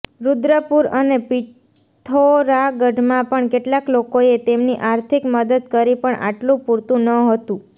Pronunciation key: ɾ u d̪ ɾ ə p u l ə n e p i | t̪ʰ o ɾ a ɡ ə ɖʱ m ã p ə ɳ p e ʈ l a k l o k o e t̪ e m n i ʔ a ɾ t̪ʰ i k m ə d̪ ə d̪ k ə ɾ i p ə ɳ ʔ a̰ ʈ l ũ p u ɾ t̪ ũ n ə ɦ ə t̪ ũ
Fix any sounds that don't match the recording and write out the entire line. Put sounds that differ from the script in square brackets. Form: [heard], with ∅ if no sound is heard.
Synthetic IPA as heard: ɾ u d̪ ɾ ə p u [ɾ] ə n e p i | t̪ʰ o ɾ a ɡ ə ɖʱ m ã p ə ɳ [k] e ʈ l a k l o k o e t̪ e m n i ʔ a ɾ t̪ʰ i k m ə d̪ ə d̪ k ə ɾ i p ə ɳ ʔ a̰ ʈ l ũ p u ɾ t̪ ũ n ə ɦ ə t̪ ũ